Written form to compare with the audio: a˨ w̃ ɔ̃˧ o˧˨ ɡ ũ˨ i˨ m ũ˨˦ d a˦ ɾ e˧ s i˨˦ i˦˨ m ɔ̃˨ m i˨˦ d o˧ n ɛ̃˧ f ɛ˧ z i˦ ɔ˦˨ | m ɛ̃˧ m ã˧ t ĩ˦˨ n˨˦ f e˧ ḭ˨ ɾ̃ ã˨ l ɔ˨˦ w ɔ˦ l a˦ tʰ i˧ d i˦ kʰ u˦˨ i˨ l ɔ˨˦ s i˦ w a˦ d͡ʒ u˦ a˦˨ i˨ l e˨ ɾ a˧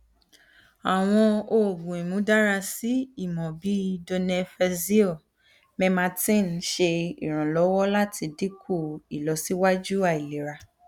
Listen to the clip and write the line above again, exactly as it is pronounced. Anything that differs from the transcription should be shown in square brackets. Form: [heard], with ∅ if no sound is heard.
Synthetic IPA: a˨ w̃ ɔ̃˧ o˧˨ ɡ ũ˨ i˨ m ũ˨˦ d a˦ ɾ [a˧] s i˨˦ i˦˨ m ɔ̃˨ [b] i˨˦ d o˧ n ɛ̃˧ f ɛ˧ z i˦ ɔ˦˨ | m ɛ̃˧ m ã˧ t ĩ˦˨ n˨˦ [ʃ] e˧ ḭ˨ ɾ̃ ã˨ l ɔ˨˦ w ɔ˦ l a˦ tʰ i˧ d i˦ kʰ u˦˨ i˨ l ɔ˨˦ s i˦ w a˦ d͡ʒ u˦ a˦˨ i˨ l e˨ ɾ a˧